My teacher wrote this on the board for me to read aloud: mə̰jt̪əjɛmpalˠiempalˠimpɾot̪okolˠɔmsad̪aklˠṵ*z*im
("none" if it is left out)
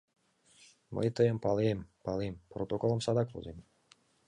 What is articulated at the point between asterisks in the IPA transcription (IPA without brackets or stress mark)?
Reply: z